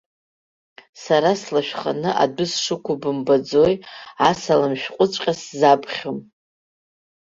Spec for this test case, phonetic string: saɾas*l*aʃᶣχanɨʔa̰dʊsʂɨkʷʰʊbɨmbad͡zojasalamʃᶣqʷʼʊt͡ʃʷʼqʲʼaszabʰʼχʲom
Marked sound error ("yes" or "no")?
no